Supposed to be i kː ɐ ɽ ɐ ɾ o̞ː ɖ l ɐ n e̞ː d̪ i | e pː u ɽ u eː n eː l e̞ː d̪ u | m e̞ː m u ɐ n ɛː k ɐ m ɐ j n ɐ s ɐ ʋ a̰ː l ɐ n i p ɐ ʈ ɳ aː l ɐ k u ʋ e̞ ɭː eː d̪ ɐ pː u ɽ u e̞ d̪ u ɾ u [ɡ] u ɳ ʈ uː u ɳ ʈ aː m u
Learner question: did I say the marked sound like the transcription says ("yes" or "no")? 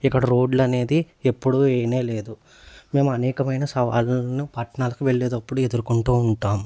no